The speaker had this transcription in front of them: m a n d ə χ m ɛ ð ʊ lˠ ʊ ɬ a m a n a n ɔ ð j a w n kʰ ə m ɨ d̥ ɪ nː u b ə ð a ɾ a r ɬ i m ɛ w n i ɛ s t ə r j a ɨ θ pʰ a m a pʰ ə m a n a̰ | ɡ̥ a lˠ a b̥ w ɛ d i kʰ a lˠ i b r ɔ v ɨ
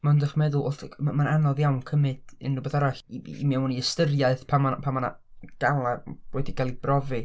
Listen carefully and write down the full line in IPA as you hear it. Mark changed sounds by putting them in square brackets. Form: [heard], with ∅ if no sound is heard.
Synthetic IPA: m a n d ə χ m ɛ ð ʊ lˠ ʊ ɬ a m a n a n ɔ ð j a w n kʰ ə m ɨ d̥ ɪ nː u b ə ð a ɾ a [∅] ɬ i m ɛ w n i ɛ s t ə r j a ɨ θ pʰ a m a pʰ [a] m a n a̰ | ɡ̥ a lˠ a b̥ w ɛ d i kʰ a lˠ i b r ɔ v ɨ